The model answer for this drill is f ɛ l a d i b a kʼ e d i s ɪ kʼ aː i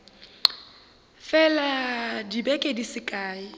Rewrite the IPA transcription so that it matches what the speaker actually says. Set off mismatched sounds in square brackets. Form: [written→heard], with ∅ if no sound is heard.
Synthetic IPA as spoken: f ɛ l a d i b [a→ɛ] kʼ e d i s ɪ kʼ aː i